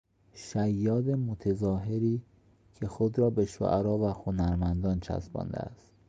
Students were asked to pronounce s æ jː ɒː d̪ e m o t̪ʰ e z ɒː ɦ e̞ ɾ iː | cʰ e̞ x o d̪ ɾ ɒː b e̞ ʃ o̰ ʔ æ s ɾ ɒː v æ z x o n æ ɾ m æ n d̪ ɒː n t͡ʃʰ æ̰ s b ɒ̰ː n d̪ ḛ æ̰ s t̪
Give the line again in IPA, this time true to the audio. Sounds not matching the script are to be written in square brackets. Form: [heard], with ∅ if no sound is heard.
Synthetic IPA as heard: [ʃ] æ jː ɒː d̪ e m o t̪ʰ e z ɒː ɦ e̞ ɾ iː | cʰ e̞ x o d̪ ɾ ɒː b e̞ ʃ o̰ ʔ æ [∅] ɾ ɒː v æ [∅] x o n æ ɾ m æ n d̪ ɒː n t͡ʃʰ æ̰ s b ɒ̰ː n d̪ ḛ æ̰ s t̪

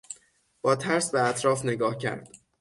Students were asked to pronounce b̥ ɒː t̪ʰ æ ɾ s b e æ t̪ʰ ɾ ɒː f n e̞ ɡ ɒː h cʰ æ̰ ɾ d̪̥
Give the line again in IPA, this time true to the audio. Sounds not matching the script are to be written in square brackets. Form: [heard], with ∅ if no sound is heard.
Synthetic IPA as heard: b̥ ɒː t̪ʰ æ ɾ s b e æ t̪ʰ ɾ ɒː f n e̞ ɡ ɒː h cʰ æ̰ ɾ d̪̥

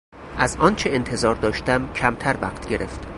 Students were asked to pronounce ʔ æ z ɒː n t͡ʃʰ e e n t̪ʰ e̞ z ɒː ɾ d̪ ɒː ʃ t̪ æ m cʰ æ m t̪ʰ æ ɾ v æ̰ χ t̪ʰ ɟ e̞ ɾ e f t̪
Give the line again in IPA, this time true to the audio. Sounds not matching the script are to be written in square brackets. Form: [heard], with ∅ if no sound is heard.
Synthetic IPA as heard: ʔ æ z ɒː n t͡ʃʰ e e n t̪ʰ e̞ z ɒː ɾ d̪ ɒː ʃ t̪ æ m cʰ æ m t̪ʰ æ ɾ v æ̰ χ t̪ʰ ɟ e̞ ɾ e f t̪

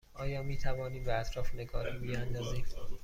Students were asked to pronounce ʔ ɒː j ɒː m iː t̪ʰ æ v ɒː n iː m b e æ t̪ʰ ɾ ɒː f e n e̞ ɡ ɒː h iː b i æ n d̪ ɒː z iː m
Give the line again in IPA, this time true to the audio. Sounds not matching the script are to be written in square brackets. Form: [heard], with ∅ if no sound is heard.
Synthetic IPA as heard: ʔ ɒː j ɒː m iː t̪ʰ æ v ɒː n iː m b e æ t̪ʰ ɾ ɒː f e n e̞ ɡ ɒː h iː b i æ n d̪ ɒː z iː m

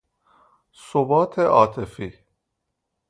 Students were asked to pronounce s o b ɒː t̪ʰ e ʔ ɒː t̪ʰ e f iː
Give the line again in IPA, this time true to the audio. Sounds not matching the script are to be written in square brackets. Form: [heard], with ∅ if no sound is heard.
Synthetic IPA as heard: s o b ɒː t̪ʰ e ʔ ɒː t̪ʰ e f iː

